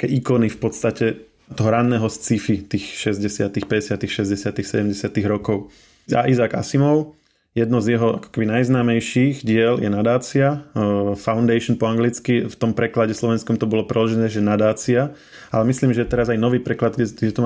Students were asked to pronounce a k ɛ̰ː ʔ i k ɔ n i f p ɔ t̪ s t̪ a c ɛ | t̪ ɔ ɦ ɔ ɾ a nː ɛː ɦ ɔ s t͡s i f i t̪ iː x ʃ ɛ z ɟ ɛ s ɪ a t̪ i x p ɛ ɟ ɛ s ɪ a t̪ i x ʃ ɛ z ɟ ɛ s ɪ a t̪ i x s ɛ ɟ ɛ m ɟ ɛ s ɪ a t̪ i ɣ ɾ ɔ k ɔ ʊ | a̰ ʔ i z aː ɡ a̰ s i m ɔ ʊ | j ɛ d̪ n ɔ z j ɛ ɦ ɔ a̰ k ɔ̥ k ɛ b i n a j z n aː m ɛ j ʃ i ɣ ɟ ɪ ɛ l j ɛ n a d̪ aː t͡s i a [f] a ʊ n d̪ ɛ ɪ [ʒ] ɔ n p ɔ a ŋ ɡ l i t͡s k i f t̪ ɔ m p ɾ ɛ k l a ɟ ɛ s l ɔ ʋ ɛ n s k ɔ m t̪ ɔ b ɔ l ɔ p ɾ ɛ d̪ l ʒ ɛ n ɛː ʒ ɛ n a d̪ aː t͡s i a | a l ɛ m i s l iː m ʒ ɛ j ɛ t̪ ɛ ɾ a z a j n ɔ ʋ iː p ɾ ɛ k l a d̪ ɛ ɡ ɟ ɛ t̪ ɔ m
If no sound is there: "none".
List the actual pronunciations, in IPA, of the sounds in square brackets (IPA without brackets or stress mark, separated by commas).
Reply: f, ʃ